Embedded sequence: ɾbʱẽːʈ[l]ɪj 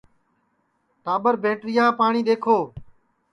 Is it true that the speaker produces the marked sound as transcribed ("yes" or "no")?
no